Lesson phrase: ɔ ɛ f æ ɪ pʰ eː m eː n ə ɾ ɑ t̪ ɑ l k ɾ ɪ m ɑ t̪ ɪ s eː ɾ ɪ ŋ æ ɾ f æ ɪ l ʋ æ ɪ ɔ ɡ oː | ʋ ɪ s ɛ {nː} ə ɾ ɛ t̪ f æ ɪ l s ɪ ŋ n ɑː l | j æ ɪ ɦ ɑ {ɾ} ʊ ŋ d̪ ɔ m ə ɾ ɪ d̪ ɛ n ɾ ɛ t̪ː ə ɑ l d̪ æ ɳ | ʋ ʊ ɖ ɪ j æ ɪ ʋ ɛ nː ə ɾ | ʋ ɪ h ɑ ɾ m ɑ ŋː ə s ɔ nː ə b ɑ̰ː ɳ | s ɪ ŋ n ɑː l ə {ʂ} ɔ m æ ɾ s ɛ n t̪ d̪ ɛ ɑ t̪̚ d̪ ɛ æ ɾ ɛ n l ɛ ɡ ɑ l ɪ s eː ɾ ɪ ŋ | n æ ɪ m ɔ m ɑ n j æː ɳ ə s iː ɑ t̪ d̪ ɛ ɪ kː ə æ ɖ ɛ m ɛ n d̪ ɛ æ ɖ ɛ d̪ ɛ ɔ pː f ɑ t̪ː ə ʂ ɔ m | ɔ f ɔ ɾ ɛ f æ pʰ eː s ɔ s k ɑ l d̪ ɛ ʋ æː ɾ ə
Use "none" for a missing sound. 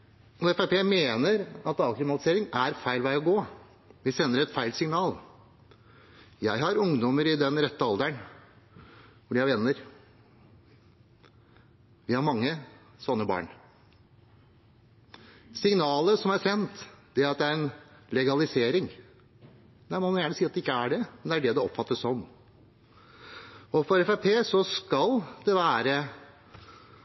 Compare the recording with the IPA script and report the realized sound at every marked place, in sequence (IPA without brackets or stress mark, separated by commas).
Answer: nː, ɾ, s